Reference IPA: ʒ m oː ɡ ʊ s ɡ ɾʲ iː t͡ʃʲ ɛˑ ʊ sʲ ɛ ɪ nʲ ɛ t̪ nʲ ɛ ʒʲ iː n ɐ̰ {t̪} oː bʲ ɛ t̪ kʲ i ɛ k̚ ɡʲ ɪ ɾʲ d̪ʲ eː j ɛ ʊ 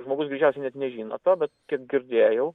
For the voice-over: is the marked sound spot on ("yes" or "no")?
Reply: yes